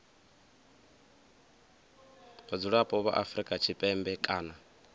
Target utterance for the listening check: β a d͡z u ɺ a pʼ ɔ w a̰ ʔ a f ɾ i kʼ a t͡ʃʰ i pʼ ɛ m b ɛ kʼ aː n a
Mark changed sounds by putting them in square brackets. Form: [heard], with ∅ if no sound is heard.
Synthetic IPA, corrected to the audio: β a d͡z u ɺ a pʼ ɔ [β] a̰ ʔ a f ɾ i kʼ a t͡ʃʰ i pʼ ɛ m b ɛ kʼ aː n a